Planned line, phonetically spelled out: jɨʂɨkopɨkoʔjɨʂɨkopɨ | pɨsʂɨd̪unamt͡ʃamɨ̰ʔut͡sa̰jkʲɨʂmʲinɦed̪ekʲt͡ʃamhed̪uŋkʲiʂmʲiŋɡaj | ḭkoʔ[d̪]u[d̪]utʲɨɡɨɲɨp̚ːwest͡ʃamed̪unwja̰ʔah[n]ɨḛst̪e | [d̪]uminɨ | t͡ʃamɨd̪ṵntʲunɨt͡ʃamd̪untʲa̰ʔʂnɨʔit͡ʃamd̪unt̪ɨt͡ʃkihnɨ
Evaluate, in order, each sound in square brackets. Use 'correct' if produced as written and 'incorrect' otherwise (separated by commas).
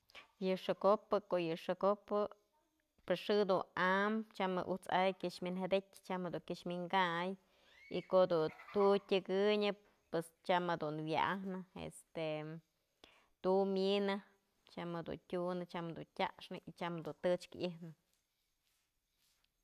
correct, incorrect, correct, incorrect